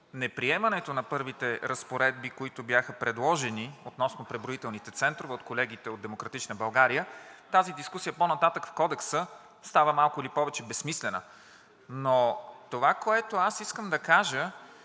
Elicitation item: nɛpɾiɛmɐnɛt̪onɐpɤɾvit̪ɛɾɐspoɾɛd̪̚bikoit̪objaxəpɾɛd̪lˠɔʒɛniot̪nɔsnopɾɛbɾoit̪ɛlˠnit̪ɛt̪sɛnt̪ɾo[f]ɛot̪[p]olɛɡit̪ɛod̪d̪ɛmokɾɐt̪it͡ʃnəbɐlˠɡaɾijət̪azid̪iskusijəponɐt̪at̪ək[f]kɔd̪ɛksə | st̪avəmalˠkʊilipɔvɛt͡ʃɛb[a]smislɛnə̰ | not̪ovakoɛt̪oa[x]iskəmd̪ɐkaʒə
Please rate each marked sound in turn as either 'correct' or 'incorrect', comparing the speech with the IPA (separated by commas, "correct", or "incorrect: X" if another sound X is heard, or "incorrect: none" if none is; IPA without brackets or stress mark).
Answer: incorrect: v, incorrect: k, correct, incorrect: ɛ, incorrect: s